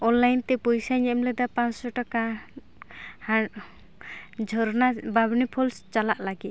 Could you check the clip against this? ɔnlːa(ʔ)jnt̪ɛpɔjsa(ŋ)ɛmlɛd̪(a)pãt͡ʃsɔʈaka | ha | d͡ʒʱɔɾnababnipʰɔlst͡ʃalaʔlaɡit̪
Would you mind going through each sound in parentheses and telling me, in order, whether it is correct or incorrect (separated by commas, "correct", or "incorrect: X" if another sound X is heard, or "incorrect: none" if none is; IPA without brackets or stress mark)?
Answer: incorrect: none, incorrect: ɲ, correct